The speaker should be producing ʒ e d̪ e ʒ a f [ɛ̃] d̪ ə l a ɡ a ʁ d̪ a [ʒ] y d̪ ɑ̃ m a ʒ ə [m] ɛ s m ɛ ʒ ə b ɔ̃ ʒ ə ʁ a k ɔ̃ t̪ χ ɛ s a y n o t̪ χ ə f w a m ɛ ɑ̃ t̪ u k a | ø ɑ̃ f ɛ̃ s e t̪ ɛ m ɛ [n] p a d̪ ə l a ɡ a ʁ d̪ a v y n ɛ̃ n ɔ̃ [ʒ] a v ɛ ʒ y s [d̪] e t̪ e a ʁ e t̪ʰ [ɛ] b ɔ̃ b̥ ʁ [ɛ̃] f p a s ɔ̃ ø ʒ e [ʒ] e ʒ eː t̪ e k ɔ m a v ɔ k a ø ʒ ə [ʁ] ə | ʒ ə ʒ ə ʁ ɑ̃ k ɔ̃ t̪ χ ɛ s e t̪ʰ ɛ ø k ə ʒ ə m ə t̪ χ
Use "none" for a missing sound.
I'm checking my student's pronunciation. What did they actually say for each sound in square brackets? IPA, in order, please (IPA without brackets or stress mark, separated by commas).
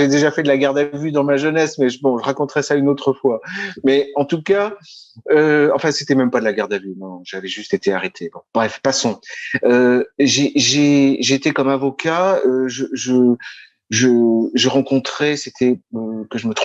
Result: ɛ, v, n, m, ʒ, t̪, e, ɛ, ʒ, ʒ